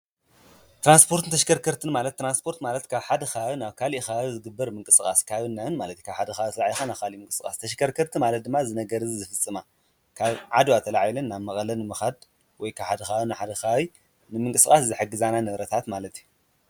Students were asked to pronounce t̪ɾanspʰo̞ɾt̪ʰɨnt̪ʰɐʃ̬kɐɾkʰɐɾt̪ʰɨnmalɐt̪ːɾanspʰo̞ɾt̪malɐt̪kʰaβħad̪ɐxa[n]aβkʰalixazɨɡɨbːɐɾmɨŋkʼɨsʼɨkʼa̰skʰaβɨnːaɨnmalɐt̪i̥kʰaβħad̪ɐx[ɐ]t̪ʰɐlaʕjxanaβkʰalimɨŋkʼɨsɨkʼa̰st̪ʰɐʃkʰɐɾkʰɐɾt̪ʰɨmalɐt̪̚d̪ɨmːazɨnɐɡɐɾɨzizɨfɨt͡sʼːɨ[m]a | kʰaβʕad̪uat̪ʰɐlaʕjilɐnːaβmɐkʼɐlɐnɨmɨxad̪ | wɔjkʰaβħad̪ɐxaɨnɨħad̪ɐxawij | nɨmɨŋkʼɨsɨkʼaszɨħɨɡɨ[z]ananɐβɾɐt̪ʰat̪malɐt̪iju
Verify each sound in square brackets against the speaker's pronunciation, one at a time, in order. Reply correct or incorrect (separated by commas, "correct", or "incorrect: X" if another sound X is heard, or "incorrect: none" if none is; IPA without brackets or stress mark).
correct, incorrect: a, correct, correct